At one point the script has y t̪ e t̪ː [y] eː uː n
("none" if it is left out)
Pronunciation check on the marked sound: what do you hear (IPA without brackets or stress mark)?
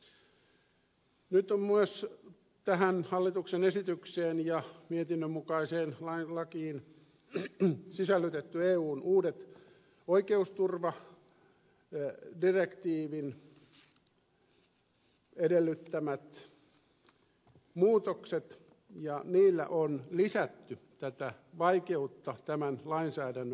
y